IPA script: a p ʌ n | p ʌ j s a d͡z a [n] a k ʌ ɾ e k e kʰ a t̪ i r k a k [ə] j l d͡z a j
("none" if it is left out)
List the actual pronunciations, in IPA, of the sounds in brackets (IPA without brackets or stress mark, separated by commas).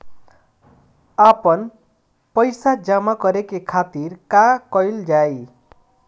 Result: m, ʌ